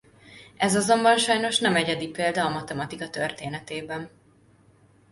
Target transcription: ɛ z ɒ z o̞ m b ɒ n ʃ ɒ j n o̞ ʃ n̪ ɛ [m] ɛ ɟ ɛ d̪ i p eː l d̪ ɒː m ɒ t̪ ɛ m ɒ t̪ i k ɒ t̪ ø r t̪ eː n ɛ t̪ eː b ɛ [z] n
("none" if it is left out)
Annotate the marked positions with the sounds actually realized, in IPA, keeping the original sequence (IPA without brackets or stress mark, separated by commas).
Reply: m, none